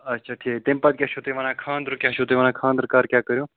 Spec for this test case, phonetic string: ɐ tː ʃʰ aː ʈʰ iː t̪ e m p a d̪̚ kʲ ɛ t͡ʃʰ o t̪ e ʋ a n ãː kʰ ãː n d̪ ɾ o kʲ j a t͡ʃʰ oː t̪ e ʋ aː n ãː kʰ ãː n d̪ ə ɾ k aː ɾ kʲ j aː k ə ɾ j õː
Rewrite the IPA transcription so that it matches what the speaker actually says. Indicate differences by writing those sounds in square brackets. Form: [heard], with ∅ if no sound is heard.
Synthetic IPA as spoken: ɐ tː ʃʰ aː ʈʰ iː t̪ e m p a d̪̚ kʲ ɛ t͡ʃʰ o t̪ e ʋ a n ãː kʰ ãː n d̪ ɾ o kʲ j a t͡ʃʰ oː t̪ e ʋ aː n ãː kʰ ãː n d̪ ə ɾ k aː ɾ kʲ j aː k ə ɾ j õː